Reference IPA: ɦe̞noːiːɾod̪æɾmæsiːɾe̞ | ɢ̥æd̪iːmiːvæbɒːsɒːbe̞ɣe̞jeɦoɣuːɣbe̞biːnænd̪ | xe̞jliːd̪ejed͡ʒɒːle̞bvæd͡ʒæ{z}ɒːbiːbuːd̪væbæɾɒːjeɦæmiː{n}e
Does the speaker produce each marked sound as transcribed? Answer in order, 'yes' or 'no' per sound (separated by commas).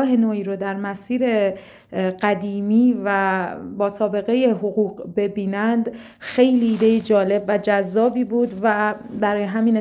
no, yes